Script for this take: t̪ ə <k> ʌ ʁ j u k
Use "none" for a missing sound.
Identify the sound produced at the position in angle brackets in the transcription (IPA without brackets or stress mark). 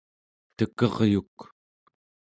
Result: k